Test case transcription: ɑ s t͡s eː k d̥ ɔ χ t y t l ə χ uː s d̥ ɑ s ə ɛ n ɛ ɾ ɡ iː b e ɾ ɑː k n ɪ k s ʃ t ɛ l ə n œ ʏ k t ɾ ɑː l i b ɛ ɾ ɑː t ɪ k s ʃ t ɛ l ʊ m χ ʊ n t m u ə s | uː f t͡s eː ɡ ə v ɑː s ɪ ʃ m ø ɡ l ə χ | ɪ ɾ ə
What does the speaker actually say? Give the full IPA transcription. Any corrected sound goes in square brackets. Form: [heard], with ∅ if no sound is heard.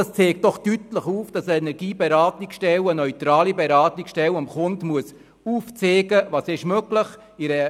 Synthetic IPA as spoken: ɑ s t͡s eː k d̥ ɔ χ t y t l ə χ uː [f] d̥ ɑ s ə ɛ n ɛ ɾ ɡ iː b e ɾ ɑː [t] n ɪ k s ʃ t ɛ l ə n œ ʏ [∅] t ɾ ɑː l i b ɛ ɾ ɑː t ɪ k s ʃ t ɛ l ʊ m χ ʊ n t m u ə s | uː f t͡s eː ɡ ə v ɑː s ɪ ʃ m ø ɡ l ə χ | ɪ ɾ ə